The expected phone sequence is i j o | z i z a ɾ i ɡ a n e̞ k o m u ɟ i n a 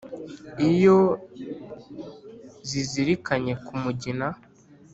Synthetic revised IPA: i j o | z i z i ɾ i k a ɲ e̞ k u m u ɟ i n a